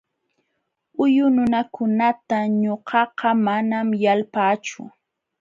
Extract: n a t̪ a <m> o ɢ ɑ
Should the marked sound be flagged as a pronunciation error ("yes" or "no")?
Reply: yes